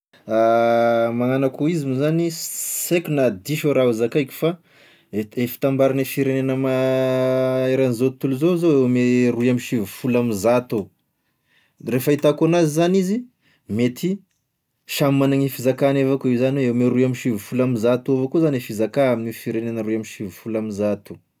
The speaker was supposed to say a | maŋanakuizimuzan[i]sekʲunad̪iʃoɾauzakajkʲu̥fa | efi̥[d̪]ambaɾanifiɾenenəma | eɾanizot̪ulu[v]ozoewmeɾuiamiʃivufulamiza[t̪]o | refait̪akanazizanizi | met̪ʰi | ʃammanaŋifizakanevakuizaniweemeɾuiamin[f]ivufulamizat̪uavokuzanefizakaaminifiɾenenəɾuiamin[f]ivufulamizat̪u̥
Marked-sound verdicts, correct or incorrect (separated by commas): correct, incorrect, incorrect, correct, incorrect, incorrect